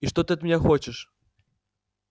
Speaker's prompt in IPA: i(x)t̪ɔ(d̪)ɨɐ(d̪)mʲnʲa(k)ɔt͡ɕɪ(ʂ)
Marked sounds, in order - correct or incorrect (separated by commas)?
incorrect, incorrect, incorrect, incorrect, correct